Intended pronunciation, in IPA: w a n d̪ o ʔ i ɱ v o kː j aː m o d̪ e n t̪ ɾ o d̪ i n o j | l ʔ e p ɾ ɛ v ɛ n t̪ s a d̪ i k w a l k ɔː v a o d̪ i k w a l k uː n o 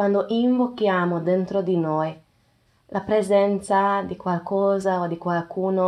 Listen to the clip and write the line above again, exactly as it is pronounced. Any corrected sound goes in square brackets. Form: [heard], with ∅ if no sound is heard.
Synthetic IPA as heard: w a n d̪ o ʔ i ɱ v o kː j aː m o d̪ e n t̪ ɾ o d̪ i n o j | l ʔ [a] p ɾ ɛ [z] ɛ n t̪ s a d̪ i k w a l k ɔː [z] a o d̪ i k w a l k uː n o